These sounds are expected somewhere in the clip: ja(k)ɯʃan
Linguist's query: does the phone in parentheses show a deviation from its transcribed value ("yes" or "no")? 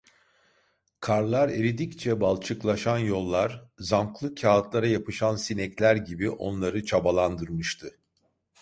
yes